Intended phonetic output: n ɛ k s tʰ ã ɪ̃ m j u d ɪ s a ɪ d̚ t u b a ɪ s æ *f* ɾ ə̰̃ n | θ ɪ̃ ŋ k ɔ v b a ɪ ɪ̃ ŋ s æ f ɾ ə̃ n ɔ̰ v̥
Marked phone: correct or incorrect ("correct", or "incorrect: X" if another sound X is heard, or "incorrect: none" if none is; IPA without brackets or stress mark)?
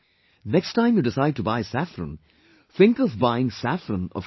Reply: correct